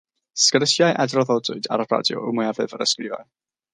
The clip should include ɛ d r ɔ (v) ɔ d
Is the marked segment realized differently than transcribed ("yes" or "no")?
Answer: yes